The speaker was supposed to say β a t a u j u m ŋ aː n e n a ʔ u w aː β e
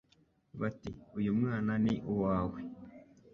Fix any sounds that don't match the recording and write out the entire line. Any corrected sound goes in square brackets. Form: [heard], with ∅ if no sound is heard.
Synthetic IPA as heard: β a t [i] u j u m ŋ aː n [a] n [i] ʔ u w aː [w] e